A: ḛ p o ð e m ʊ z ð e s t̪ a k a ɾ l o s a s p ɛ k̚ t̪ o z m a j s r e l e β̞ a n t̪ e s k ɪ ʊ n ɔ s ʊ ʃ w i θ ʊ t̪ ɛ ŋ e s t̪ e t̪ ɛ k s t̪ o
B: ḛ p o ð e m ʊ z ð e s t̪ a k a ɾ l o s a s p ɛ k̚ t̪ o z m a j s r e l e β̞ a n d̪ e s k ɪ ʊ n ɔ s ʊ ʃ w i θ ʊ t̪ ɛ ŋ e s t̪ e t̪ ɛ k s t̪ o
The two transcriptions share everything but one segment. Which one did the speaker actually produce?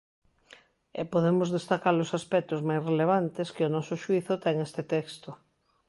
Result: A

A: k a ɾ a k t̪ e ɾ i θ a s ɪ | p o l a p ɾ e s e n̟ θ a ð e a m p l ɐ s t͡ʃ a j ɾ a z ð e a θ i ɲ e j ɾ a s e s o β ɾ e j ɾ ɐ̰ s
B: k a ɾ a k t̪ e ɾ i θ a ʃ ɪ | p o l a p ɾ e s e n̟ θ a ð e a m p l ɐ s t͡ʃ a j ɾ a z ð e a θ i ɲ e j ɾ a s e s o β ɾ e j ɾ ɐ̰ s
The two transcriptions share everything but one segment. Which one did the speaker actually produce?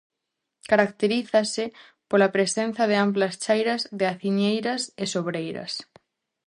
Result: A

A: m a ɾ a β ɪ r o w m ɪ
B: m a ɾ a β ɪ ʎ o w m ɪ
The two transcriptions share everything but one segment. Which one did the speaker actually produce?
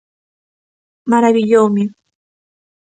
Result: B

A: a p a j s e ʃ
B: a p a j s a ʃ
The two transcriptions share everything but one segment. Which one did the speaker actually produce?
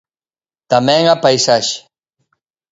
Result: B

